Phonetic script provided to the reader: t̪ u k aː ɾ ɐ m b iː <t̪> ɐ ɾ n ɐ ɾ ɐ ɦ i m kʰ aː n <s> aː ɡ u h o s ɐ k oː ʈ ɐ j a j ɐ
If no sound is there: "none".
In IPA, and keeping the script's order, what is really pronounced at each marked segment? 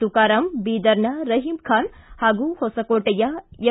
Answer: d̪, h

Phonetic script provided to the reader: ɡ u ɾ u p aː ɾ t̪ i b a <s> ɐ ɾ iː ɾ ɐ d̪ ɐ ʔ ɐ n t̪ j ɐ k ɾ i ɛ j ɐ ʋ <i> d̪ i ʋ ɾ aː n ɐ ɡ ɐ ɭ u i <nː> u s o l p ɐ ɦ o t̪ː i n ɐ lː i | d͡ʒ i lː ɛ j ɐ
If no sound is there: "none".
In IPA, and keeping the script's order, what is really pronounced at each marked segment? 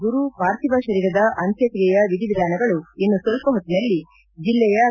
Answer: ʃ, i, nː

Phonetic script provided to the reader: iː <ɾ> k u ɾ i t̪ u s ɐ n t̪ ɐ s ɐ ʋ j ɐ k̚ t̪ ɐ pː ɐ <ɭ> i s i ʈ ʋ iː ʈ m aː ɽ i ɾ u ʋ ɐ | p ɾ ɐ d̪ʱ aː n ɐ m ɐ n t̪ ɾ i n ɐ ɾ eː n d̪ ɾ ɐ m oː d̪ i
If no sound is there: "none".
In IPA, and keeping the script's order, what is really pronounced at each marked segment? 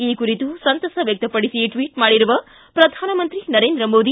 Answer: none, ɽ

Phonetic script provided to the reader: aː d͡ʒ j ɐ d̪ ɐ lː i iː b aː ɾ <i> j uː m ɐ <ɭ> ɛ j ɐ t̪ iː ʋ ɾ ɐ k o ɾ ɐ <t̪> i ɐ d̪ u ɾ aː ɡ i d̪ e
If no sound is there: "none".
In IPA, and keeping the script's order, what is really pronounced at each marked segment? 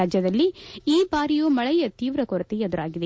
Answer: i, ɭ, t̪

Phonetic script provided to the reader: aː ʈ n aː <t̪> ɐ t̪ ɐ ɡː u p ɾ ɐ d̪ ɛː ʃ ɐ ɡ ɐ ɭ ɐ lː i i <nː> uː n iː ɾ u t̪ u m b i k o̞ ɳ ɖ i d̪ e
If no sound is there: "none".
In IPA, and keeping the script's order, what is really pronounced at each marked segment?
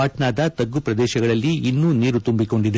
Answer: d̪, nː

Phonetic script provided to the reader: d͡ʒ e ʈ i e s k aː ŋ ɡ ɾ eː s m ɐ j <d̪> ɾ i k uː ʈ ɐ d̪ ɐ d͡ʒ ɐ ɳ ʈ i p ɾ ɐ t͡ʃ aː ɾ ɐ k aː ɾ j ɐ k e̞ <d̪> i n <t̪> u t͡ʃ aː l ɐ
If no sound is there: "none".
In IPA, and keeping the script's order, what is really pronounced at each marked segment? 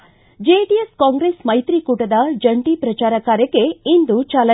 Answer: t̪, none, d̪

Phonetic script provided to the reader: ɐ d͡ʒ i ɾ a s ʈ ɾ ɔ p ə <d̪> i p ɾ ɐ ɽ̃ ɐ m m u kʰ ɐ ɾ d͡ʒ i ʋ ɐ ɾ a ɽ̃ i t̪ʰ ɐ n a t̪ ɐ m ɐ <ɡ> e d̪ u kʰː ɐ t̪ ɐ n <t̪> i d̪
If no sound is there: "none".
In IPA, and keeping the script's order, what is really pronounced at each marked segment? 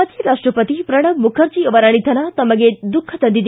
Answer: t̪, ɡ, d̪

